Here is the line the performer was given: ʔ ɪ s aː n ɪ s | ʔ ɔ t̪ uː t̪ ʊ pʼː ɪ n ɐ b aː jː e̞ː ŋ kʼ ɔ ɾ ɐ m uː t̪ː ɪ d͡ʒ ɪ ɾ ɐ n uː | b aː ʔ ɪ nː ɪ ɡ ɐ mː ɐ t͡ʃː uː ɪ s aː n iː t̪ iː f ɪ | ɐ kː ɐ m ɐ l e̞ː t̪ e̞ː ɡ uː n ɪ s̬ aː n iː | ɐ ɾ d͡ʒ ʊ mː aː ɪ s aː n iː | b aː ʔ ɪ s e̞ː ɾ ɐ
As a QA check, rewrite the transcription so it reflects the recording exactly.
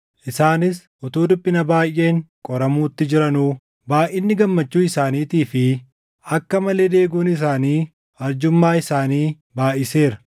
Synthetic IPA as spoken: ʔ ɪ s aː n ɪ s | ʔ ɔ t̪ uː d̪ ʊ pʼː ɪ n ɐ b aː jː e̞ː ŋ kʼ ɔ ɾ ɐ m uː t̪ː ɪ d͡ʒ ɪ ɾ ɐ n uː | b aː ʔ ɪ nː ɪ ɡ ɐ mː ɐ t͡ʃː uː ɪ s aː n iː t̪ iː f ɪ | ɐ kː ɐ m ɐ l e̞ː d̪ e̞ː ɡ uː n ɪ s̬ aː n iː | ɐ ɾ d͡ʒ ʊ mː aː ɪ s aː n iː | b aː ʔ ɪ s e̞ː ɾ ɐ